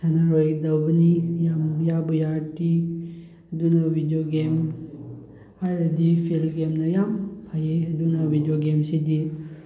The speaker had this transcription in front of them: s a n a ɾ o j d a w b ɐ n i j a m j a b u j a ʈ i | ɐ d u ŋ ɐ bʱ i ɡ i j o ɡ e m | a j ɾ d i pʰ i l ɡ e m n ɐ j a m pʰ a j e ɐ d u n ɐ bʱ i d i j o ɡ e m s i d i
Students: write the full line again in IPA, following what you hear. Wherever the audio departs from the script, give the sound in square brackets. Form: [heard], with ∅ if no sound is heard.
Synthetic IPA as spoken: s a n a ɾ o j d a w b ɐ n i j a m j a b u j a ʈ i | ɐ d u [n] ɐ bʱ i [d] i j o ɡ e m | a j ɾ d i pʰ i l ɡ e m n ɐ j a m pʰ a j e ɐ d u n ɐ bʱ i d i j o ɡ e m s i d i